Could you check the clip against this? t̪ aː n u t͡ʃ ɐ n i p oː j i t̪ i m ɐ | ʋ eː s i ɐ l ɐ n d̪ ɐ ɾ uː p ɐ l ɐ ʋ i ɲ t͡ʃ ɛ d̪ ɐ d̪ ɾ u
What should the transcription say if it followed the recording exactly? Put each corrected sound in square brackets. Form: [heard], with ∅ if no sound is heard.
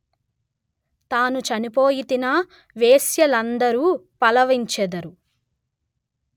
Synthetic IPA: t̪ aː n u t͡ʃ ɐ n i p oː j i t̪ i [n] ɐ | ʋ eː s [j] ɐ l ɐ n d̪ ɐ ɾ uː p ɐ l ɐ ʋ i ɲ t͡ʃ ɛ d̪ ɐ [∅] ɾ u